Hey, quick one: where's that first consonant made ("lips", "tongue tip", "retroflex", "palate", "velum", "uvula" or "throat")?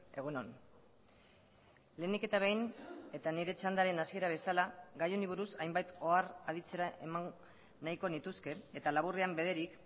velum